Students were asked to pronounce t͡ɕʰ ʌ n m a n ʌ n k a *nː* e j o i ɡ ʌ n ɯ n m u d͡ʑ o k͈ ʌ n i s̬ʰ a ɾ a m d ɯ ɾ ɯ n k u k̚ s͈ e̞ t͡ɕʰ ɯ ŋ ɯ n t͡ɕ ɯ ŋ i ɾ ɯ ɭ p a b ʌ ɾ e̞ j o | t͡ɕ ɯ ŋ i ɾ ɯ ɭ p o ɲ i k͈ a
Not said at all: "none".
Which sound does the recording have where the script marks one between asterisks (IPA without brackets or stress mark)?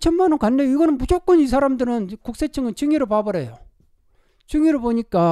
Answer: nː